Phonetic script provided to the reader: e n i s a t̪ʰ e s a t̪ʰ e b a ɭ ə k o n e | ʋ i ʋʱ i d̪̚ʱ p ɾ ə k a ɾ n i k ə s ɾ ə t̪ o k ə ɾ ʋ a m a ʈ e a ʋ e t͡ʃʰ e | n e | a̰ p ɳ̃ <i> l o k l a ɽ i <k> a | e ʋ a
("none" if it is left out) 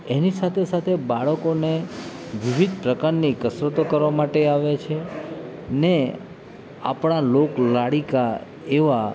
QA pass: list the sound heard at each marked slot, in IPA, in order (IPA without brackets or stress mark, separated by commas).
a, k